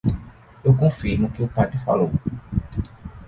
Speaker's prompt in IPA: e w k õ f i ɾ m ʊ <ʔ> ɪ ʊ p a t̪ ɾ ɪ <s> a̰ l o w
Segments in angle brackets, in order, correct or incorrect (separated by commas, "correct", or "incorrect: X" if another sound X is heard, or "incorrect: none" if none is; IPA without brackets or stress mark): incorrect: k, incorrect: f